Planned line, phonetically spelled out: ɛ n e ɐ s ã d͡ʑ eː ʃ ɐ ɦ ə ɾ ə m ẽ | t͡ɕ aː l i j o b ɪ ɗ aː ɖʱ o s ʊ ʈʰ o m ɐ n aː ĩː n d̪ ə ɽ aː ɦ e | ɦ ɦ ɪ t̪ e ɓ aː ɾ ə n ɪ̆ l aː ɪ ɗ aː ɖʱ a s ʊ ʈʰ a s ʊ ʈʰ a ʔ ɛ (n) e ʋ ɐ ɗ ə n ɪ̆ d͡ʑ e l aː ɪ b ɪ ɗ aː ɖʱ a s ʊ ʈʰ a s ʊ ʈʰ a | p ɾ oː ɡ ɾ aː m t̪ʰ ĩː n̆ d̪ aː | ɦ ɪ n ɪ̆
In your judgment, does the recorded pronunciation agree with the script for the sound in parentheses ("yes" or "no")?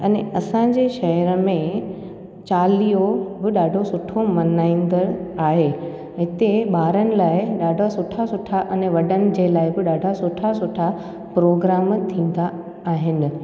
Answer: yes